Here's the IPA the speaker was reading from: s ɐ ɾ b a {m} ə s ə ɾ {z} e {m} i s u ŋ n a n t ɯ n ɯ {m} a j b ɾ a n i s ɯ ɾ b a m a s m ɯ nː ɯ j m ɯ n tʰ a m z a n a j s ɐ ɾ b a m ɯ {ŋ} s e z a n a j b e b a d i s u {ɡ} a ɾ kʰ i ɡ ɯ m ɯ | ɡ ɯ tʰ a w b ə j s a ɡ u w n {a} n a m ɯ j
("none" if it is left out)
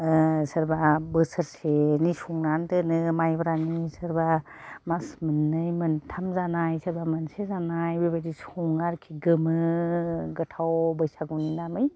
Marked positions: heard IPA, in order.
b, s, n, m, n, ŋ, i

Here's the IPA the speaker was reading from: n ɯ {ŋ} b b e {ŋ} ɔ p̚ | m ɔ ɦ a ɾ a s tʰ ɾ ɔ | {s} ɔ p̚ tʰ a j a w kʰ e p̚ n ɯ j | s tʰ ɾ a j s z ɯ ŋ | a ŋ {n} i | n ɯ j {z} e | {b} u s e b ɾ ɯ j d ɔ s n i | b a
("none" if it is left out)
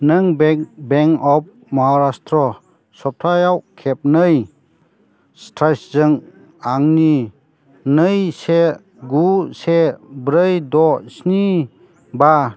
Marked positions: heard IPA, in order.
ŋ, ŋ, s, n, s, ɡ

